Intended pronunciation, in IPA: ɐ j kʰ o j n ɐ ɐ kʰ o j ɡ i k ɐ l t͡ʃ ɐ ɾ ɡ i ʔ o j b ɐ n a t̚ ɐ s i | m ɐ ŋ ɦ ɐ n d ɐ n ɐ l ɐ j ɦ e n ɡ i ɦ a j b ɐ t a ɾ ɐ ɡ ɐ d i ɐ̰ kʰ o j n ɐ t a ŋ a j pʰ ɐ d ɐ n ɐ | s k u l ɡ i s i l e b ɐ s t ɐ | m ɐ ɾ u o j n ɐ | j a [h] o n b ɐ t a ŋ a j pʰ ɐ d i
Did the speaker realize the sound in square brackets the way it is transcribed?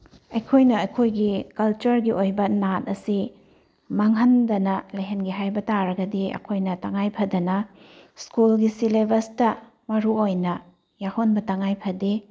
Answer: yes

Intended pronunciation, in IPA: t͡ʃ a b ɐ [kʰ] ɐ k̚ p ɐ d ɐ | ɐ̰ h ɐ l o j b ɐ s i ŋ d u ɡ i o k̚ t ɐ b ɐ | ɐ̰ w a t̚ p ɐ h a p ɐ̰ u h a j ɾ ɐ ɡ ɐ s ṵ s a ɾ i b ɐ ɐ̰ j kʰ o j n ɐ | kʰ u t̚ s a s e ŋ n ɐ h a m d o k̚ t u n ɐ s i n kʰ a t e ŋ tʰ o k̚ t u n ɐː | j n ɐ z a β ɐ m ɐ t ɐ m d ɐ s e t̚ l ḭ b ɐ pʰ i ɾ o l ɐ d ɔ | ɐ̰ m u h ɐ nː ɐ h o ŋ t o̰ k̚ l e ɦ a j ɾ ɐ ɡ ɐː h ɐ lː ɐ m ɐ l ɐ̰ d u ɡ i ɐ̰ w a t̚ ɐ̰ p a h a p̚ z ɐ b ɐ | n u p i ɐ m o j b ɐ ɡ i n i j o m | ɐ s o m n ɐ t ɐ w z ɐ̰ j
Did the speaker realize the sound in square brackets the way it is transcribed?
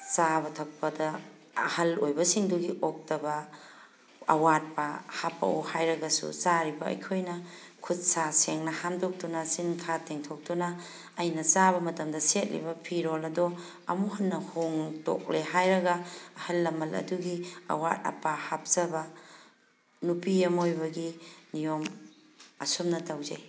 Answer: no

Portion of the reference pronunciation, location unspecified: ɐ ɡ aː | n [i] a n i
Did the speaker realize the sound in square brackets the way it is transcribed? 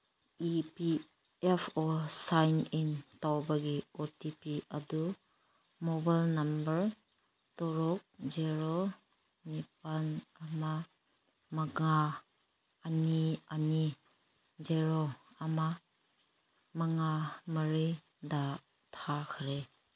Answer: yes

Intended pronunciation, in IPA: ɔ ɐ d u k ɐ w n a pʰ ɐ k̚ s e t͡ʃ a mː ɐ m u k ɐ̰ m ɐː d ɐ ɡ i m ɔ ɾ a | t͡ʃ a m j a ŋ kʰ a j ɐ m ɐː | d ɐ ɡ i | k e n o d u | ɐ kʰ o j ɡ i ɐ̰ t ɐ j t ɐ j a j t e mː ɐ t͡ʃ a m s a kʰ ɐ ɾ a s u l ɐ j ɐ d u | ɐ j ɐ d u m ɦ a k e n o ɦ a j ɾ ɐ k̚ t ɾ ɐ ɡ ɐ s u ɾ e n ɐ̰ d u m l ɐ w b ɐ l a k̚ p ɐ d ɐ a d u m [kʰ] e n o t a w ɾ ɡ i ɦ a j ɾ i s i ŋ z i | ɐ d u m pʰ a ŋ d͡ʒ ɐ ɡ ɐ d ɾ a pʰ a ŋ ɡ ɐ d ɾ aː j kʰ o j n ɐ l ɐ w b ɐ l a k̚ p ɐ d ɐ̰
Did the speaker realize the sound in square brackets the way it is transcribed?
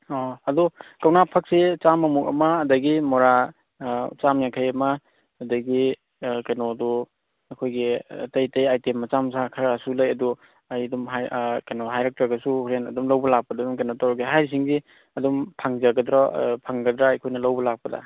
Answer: no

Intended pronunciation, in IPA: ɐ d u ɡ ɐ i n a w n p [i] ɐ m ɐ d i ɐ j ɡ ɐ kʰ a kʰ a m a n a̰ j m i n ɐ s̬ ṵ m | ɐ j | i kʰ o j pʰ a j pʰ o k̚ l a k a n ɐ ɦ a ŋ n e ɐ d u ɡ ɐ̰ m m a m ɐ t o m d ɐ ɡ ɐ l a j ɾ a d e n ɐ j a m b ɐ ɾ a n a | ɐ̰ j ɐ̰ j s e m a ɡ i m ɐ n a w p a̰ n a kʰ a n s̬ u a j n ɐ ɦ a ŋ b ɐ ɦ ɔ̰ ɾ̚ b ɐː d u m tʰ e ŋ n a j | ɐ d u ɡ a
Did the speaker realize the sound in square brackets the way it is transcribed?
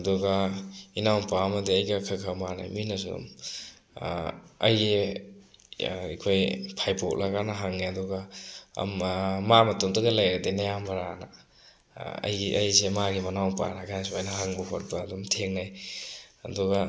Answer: no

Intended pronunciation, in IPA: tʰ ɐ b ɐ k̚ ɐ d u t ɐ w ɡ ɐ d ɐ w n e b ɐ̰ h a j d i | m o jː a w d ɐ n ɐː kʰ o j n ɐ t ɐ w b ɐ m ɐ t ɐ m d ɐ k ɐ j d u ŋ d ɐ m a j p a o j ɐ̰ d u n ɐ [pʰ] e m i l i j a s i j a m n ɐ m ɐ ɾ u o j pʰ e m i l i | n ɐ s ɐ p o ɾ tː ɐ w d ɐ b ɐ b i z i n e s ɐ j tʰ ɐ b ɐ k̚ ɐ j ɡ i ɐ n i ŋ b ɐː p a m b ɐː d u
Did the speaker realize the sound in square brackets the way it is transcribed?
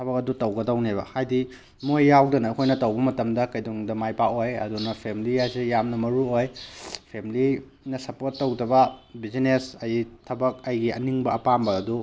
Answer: yes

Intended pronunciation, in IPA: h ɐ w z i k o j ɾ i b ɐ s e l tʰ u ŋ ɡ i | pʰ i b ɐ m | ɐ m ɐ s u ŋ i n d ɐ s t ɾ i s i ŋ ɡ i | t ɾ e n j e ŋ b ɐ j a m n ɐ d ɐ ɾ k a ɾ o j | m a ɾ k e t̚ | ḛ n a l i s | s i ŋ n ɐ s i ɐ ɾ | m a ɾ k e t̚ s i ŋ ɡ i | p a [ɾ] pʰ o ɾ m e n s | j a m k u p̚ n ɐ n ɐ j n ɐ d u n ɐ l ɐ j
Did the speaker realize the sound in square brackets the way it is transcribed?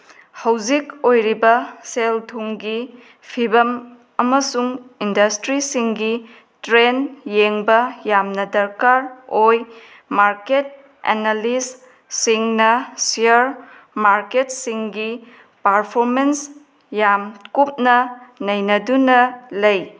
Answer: yes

